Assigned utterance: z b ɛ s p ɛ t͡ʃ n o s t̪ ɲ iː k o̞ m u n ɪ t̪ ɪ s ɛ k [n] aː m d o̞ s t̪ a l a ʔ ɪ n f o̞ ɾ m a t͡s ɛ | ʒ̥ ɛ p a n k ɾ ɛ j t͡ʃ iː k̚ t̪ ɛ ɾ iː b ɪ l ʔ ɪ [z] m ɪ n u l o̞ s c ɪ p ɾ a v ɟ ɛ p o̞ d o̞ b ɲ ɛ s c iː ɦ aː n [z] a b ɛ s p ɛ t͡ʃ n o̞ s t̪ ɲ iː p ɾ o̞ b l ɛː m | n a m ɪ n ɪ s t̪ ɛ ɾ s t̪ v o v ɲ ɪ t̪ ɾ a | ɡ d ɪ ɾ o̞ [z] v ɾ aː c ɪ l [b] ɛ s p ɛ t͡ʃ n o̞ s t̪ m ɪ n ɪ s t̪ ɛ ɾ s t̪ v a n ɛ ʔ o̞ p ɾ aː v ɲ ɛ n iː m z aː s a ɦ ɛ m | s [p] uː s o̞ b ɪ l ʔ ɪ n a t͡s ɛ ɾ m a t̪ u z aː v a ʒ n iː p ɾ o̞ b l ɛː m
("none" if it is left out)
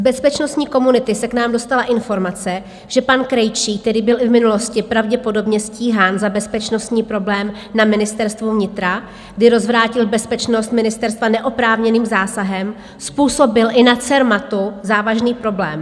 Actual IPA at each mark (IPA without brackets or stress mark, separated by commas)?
n, v, z, z, b, p